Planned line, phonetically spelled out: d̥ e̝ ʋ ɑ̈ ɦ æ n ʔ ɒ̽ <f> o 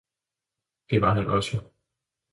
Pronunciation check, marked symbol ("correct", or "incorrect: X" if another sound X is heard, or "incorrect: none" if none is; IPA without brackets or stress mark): incorrect: s